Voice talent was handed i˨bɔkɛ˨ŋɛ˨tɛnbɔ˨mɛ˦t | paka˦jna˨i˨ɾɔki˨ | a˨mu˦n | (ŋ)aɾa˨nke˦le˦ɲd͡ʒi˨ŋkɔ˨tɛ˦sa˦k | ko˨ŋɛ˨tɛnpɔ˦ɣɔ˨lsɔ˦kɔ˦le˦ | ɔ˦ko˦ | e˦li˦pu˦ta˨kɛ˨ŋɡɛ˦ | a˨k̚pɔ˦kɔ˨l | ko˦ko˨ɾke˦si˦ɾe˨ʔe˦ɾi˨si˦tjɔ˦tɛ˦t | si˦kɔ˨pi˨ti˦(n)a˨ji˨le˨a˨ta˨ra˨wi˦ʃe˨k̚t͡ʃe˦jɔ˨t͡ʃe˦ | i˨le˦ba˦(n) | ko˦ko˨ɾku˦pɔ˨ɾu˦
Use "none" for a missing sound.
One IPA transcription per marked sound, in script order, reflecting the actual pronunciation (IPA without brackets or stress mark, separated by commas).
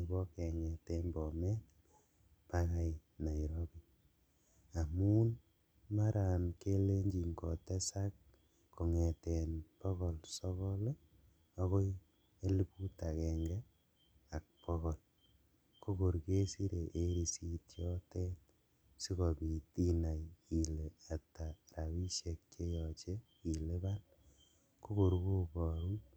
m, n, n